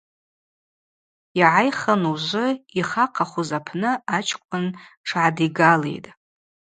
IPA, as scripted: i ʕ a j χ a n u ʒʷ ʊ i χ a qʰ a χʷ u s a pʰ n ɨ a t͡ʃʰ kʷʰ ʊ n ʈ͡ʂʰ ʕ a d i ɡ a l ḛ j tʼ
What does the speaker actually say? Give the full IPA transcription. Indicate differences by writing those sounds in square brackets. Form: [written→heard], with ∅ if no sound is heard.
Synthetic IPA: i ʕ a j χ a n u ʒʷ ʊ i χ a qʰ a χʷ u [s→z] a pʰ n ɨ a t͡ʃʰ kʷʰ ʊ n ʈ͡ʂʰ ʕ a d i ɡ a l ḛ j tʼ